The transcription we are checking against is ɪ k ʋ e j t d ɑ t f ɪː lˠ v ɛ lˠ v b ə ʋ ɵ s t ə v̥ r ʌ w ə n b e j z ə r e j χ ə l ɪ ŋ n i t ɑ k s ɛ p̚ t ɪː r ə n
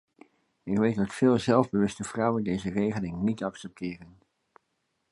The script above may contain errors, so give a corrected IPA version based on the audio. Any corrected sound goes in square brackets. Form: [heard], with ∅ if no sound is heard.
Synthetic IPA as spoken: ɪ k ʋ e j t d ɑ t f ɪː lˠ [z] ɛ lˠ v b ə ʋ ɵ s t ə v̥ r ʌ w ə n [d] e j z ə r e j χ ə l ɪ ŋ n i t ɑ k s ɛ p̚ t ɪː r ə n